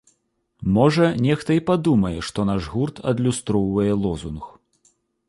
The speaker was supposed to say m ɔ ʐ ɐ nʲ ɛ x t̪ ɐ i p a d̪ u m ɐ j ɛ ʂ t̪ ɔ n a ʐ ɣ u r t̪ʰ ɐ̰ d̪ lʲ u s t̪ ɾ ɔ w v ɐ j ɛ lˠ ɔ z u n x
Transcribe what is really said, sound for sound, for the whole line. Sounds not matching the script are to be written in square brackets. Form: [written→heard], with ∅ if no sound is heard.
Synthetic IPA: m ɔ ʐ ɐ nʲ ɛ x t̪ ɐ i p a d̪ u m ɐ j ɛ ʂ t̪ ɔ n a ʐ ɣ u r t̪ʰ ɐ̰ d̪ lʲ u s t̪ ɾ ɔ w v ɐ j ɛ lˠ ɔ z u n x